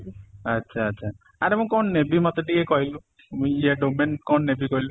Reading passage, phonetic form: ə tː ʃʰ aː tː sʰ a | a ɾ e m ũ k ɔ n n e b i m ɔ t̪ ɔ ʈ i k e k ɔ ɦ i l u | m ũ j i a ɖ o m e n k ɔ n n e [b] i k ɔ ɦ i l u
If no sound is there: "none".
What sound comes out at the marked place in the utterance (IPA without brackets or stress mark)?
b